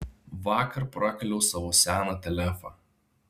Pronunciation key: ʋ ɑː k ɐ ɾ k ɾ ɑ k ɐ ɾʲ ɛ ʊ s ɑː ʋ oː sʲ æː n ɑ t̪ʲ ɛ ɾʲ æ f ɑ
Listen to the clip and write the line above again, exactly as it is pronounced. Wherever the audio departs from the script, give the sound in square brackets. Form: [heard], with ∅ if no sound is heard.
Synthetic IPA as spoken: ʋ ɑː k ɐ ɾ [p] ɾ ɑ k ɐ [lʲ] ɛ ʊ s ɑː ʋ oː sʲ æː n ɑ t̪ʲ ɛ [lʲ] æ f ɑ